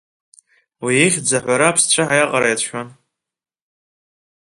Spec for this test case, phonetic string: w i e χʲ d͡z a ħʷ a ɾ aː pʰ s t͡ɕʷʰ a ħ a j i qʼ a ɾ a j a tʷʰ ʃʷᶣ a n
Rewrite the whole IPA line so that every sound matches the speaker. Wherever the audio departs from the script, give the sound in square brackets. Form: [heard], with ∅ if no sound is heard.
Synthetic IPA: w i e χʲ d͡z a ħʷ a ɾ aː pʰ s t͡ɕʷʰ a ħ a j [a] qʼ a ɾ a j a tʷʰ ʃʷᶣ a n